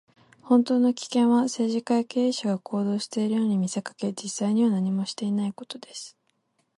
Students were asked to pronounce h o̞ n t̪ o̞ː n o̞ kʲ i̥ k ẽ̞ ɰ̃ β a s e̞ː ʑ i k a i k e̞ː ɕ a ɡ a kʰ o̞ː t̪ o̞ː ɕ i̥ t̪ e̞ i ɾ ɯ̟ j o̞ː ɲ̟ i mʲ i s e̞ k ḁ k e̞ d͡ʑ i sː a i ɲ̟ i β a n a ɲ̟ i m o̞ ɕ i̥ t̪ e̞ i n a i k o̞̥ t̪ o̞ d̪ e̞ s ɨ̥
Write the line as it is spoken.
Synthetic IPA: h õ̞ n t̪ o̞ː n o̞ kʲ i̥ k ẽ̞ ɰ̃ β a s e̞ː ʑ i k a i k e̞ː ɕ a ɡ a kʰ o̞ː d̪ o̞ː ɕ i̥ t̪ e̞ i ɾ ɯ̟ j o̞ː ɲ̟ i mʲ i s e̞ k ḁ k e̞ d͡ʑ i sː a i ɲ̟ i β a n a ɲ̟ i m o̞ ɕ i̥ t̪ e̞ i n a i k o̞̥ t̪ o̞ d̪ e̞ s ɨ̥